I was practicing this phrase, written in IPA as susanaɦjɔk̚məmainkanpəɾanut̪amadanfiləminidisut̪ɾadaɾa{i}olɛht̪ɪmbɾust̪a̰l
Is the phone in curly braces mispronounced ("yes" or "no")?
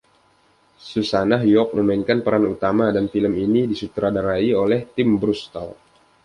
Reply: no